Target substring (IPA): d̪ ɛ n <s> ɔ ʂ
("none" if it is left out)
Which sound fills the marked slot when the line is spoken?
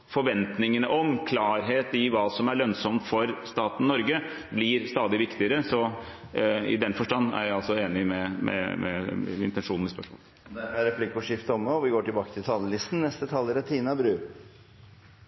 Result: f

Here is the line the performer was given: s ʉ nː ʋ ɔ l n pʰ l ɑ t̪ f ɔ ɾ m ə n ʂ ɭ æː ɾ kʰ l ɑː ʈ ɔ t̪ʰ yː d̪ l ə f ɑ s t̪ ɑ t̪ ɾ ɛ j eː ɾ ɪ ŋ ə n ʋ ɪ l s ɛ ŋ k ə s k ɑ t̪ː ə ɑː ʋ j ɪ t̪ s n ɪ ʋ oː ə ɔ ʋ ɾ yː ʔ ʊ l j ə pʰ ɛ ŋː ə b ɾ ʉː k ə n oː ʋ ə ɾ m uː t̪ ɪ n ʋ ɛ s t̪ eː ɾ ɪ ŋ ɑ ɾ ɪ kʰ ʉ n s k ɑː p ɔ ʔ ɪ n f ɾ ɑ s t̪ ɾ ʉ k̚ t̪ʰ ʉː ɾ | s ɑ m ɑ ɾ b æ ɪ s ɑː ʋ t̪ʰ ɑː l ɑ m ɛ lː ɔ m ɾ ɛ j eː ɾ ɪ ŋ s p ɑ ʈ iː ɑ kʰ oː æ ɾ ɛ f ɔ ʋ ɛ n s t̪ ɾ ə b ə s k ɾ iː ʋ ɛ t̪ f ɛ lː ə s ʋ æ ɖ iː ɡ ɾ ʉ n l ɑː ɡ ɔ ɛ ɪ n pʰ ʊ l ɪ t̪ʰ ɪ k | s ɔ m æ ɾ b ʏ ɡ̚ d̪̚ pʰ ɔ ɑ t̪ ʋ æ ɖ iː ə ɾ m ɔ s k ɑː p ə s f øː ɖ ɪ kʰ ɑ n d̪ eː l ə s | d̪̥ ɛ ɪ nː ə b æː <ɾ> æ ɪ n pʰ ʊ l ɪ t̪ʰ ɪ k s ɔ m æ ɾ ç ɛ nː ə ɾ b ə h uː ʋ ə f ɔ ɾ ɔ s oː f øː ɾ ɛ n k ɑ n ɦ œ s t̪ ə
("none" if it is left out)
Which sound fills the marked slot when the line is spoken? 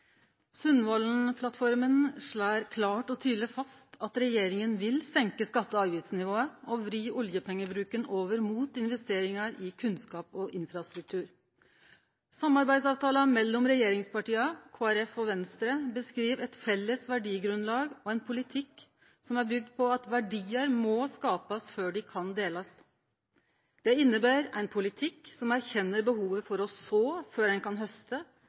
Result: ɾ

